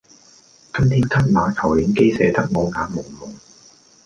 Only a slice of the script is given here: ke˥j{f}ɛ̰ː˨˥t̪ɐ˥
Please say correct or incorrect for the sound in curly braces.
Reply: incorrect: s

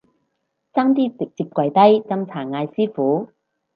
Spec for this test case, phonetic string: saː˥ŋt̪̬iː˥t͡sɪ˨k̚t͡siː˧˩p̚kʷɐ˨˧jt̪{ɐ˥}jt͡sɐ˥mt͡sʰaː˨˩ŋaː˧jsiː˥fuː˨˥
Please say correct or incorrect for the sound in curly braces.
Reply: correct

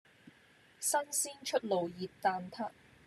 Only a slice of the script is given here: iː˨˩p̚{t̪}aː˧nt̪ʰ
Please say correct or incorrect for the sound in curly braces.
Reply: correct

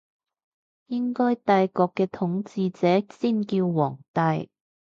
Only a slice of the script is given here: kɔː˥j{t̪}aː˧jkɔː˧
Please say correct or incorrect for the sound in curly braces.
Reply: correct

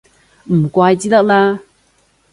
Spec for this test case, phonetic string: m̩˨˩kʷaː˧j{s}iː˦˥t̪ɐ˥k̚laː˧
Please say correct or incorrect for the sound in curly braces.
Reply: incorrect: t͡s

